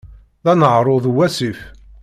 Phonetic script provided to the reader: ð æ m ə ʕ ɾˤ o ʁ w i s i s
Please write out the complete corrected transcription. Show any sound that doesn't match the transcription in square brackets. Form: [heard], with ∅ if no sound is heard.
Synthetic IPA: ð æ [n] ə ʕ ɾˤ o [ð] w [æ] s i [f]